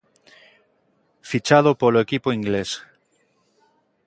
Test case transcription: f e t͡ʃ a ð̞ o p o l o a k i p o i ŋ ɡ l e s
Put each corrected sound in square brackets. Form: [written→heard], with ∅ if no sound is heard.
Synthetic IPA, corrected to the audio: f [e→i] t͡ʃ a ð̞ o p o l o [a→e] k i p o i ŋ ɡ l e s